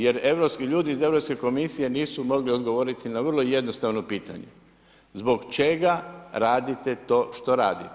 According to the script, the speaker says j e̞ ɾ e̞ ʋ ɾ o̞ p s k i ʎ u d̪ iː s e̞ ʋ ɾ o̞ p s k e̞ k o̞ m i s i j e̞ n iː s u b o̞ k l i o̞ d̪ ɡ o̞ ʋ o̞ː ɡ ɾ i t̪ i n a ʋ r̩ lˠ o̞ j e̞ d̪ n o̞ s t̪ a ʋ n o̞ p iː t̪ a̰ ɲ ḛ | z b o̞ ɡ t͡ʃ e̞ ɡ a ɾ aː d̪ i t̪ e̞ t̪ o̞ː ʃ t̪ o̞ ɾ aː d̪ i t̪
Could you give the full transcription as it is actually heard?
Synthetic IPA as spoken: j e̞ ɾ e̞ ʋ ɾ o̞ p s k i ʎ uː d̪ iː z e̞ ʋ ɾ o̞ p s k e̞ k o̞ m i s i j e̞ n iː s u m o̞ ɡ l i o̞ d̪ ɡ o̞ ʋ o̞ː ɾ i t̪ i n a ʋ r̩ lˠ o̞ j e̞ d̪ n o̞ s t̪ a ʋ n o̞ p iː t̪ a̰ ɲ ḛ | z b o̞ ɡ t͡ʃ e̞ ɡ a ɾ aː d̪ i t̪ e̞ t̪ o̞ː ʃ t̪ o̞ ɾ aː d̪ i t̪